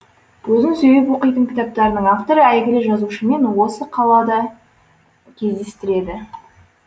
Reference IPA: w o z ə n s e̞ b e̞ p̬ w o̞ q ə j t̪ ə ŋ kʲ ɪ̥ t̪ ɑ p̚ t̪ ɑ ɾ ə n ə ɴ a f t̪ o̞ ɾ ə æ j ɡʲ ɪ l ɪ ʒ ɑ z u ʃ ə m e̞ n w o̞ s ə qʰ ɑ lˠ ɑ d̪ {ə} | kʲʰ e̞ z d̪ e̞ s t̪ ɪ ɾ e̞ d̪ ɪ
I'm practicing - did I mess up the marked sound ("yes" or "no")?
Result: yes